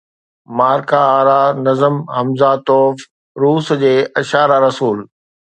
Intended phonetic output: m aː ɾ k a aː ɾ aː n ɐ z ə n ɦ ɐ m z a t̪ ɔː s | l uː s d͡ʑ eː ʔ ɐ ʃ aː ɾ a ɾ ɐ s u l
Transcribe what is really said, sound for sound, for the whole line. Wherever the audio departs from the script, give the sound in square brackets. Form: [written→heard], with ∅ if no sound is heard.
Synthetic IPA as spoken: m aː ɾ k a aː ɾ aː n ɐ z ə [n→m] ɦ ɐ m z a t̪ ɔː [s→f] | [l→ɾ] uː s d͡ʑ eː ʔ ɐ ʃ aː ɾ a ɾ ɐ s [u→uː] l

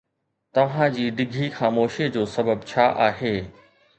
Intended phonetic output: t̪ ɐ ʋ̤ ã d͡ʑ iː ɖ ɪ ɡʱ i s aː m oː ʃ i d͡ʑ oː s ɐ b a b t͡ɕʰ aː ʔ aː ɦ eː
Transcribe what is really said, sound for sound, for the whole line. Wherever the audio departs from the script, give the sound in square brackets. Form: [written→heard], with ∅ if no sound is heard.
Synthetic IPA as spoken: t̪ ɐ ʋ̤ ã d͡ʑ iː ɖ ɪ ɡʱ i [s→x] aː m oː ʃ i d͡ʑ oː s ɐ b [a→ə] b t͡ɕʰ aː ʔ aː ɦ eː

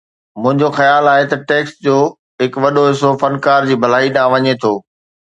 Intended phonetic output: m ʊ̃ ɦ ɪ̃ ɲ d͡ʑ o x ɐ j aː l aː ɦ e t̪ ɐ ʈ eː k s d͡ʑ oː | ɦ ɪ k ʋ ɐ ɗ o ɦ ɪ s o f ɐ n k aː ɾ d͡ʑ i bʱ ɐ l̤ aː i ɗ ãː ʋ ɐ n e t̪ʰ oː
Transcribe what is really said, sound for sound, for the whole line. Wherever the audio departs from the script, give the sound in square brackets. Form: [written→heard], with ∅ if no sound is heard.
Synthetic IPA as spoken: m ʊ̃ ɦ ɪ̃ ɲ d͡ʑ o x ɐ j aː l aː ɦ e t̪ ɐ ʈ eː k s d͡ʑ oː | ɦ ɪ k ʋ ɐ ɗ o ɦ ɪ s o f ɐ n k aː ɾ d͡ʑ [i→iː] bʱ ɐ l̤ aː i ɗ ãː ʋ ɐ [n→ɲ] e t̪ʰ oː

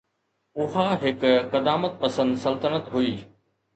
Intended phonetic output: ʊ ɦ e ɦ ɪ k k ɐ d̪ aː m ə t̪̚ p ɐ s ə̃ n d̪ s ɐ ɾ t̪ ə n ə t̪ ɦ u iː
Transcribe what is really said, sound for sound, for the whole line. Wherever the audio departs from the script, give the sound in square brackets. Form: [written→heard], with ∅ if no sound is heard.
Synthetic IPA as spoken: ʊ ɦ [e→a] ɦ ɪ k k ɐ d̪ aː m ə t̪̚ p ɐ s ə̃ n d̪ s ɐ [ɾ→l] t̪ ə n ə t̪ ɦ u iː

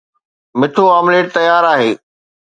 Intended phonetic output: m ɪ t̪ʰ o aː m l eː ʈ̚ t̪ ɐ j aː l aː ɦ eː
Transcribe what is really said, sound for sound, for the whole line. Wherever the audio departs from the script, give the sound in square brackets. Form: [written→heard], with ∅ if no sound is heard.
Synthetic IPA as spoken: m ɪ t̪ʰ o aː m l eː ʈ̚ t̪ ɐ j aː [l→ɾ] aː ɦ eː

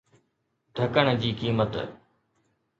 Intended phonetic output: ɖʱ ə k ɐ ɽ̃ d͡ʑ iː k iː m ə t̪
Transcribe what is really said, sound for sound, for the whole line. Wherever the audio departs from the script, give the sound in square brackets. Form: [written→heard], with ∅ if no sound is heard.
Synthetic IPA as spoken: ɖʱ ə k [ɐ→ə] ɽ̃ d͡ʑ iː k iː m ə t̪

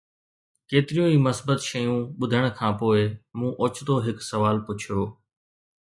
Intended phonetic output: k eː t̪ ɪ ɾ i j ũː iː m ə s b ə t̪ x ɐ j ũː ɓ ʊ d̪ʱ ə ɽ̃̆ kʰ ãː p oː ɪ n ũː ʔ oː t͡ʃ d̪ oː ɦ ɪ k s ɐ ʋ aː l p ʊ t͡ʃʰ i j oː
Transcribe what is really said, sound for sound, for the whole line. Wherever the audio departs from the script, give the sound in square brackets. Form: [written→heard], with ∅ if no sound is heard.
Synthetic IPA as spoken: k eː t̪ ɪ ɾ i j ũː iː m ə s b ə t̪ [x→ʃ] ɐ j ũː ɓ ʊ d̪ʱ ə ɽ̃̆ kʰ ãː p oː ɪ [n→m] ũː ʔ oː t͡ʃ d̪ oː ɦ ɪ k s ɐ ʋ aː l p ʊ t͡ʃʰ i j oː

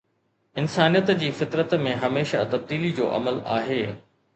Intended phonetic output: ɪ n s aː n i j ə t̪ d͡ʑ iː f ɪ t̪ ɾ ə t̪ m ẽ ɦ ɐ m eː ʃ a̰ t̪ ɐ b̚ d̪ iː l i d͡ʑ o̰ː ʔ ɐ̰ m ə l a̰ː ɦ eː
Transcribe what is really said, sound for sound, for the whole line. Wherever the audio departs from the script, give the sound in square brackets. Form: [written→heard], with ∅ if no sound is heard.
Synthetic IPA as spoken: ɪ n s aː n i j ə t̪ d͡ʑ iː f ɪ t̪ ɾ ə t̪ m ẽ ɦ ɐ m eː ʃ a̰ t̪ ɐ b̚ d̪ iː l i d͡ʑ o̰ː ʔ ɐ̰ m ə l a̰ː ɦ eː

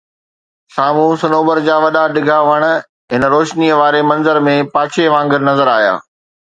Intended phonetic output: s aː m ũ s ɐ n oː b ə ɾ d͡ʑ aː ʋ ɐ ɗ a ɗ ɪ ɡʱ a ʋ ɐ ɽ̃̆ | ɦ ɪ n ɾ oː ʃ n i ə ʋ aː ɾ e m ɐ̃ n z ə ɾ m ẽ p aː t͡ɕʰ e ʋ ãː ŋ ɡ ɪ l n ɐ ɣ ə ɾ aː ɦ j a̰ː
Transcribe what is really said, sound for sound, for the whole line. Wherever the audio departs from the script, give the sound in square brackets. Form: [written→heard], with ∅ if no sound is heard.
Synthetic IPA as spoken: s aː m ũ s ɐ n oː b ə ɾ d͡ʑ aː ʋ ɐ ɗ a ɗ ɪ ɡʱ a ʋ ɐ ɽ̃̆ | ɦ ɪ n ɾ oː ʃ n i ə ʋ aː ɾ e m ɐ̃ n z ə ɾ m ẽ p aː t͡ɕʰ e ʋ ãː ŋ ɡ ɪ [l→ɾ] n ɐ [ɣ→z] ə ɾ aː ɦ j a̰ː

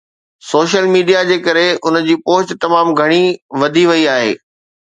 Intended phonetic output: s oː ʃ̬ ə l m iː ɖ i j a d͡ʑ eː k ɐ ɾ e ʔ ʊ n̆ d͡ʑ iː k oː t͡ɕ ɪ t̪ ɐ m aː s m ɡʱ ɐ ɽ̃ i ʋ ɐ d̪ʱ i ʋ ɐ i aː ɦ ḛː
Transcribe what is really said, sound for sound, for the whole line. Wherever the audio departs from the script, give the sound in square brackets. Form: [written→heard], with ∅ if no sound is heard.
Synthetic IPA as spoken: s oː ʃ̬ ə l m iː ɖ i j a d͡ʑ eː k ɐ ɾ e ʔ ʊ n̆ d͡ʑ iː [k→p] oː t͡ɕ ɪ t̪ ɐ m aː [s→∅] m ɡʱ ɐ ɽ̃ i ʋ ɐ d̪ʱ i ʋ ɐ i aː ɦ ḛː

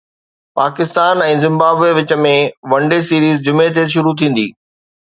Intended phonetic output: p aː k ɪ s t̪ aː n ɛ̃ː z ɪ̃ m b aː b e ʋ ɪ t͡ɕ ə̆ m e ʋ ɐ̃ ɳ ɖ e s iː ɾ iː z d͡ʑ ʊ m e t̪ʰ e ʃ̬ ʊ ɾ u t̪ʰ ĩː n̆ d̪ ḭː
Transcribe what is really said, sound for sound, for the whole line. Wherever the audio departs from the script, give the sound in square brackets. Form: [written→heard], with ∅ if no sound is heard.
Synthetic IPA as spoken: p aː k ɪ s t̪ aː n ɛ̃ː z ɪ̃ m b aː b e ʋ ɪ t͡ɕ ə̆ m [e→ẽ] ʋ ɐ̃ ɳ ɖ e s iː ɾ iː z d͡ʑ ʊ m e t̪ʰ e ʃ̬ ʊ ɾ u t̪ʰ ĩː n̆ d̪ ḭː

